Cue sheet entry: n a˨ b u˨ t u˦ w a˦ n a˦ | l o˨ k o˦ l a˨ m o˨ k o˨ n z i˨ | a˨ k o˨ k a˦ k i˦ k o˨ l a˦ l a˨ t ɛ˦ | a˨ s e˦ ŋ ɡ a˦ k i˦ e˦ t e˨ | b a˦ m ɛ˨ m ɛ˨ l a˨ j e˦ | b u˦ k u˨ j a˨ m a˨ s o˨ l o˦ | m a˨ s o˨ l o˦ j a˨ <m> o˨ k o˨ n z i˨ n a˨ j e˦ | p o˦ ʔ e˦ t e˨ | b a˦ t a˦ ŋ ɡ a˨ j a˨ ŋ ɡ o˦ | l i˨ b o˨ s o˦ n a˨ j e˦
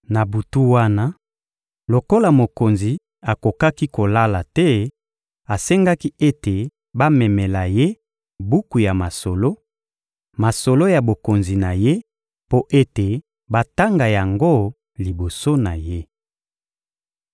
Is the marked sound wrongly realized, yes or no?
yes